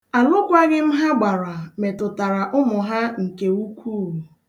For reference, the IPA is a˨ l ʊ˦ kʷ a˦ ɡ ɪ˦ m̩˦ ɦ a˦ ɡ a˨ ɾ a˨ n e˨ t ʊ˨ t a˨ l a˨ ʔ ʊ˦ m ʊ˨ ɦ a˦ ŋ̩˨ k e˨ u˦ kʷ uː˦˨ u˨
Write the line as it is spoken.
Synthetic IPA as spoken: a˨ l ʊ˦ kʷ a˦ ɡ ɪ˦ m̩˦ ɦ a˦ ɡ͡b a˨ ɾ a˨ m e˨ t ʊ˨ t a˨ ɾ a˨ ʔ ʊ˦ m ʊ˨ ɦ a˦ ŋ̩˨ k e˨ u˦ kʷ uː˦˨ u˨